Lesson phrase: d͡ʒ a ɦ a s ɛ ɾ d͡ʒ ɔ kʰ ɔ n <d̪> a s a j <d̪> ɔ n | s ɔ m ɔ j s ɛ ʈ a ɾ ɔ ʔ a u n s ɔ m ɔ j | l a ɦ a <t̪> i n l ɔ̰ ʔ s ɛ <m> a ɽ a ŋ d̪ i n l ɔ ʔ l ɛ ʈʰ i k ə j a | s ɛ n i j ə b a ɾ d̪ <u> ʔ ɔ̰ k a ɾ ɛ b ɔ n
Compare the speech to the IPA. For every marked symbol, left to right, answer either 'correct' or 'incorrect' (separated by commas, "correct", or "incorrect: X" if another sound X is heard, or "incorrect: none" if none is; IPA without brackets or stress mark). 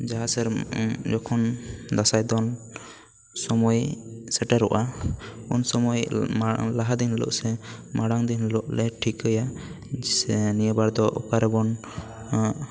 correct, correct, incorrect: d̪, correct, incorrect: ɔ